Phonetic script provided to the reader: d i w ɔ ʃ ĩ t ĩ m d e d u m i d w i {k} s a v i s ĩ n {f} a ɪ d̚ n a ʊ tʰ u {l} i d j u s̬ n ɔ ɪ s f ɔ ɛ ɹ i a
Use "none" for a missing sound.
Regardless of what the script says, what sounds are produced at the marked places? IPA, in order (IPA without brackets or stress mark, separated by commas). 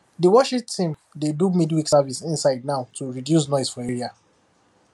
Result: k, s, ɹ